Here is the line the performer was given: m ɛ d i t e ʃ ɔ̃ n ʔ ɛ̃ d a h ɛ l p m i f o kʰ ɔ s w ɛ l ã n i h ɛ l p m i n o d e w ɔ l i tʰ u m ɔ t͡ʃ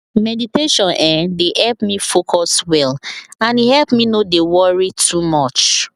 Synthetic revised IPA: m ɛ d i t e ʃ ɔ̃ n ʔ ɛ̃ d e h ɛ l p m i f o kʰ ɔ s w ɛ l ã n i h ɛ l p m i n o d e w ɔ ɹ i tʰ u m ɔ t͡ʃ